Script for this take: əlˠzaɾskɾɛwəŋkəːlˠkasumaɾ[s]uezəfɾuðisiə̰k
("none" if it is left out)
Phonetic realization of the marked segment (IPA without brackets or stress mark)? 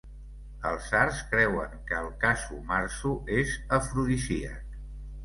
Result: s